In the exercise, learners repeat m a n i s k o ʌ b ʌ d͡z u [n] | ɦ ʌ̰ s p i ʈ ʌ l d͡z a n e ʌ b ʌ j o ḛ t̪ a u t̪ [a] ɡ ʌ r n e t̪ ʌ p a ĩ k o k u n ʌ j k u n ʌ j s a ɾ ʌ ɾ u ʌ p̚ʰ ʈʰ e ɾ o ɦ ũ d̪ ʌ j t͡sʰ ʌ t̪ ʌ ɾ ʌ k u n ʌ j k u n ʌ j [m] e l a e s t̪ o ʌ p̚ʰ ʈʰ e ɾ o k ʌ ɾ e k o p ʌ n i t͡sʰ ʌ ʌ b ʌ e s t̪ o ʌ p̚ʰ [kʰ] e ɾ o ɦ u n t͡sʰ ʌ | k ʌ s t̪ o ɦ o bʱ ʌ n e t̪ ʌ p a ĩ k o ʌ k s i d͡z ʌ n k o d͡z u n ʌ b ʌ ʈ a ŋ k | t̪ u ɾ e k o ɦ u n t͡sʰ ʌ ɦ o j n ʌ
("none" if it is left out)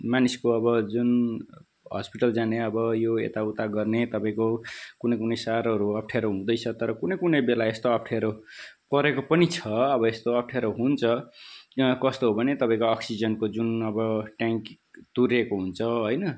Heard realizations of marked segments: n, a, b, ʈʰ

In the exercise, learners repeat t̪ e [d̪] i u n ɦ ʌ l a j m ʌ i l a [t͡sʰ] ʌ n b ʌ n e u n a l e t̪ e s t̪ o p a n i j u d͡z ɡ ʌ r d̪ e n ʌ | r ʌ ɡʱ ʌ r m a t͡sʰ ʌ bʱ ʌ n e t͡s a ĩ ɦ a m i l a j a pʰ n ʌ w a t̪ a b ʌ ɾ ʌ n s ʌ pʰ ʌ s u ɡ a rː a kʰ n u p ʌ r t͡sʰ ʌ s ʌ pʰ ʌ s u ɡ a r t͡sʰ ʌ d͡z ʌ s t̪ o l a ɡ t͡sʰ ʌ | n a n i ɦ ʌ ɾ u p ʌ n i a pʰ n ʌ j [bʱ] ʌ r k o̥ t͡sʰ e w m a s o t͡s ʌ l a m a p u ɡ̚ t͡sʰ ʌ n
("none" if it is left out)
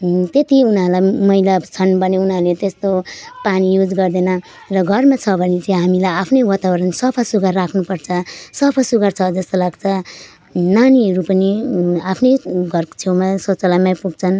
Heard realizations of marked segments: t̪, t͡sʰ, ɡʱ

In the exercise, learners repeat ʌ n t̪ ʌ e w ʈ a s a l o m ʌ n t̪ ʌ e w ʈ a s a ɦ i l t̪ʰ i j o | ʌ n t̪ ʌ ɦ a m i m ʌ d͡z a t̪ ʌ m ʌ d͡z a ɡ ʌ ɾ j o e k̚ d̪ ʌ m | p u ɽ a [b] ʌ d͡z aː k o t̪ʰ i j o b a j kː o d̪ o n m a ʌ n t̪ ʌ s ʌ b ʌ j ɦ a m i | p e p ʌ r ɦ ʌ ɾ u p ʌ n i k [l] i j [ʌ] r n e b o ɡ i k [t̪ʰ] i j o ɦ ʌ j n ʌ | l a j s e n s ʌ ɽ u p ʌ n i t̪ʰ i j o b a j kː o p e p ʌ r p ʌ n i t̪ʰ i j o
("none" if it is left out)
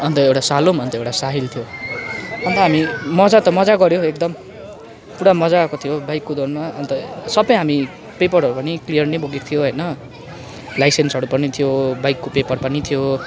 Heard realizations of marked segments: m, l, ʌ, t̪ʰ

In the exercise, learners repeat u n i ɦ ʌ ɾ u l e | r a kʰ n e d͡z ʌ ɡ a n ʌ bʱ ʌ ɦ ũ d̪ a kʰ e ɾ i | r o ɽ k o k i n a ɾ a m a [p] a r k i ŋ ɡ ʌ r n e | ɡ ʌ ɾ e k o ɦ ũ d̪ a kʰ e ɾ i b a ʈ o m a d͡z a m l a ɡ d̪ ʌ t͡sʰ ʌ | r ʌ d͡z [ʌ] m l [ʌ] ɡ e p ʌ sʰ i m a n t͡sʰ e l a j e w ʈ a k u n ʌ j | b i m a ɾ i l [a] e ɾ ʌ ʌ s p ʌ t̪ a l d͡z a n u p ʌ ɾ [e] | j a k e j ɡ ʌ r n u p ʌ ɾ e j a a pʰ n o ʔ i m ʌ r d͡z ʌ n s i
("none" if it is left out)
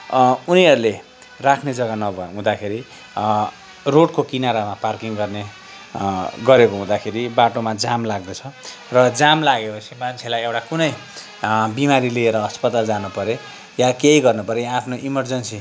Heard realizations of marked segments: p, a, a, i, e

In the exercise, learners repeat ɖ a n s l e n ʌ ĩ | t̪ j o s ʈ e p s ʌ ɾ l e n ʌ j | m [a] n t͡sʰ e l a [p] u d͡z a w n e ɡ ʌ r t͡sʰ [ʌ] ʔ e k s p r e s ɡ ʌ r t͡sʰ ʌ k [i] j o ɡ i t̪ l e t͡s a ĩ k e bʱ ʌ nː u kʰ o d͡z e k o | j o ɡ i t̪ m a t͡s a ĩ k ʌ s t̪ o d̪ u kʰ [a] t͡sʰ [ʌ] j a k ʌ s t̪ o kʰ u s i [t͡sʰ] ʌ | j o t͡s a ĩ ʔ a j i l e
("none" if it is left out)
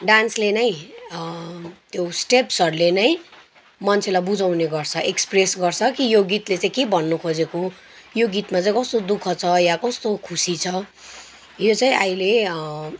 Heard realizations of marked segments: ʌ, b, ʌ, i, ʌ, ʌ, t͡sʰ

